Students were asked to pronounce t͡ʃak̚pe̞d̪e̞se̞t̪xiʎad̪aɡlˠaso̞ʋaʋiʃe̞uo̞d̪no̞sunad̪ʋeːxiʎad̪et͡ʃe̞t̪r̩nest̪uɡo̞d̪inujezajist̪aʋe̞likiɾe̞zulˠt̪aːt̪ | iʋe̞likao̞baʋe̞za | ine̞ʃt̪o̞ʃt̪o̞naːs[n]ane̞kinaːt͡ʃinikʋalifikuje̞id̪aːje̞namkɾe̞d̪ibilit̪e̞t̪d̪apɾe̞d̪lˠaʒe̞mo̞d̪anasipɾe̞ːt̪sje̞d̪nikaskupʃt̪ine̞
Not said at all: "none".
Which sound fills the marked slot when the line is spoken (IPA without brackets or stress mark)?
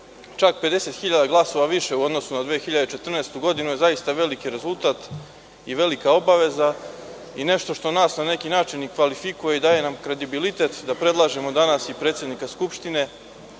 n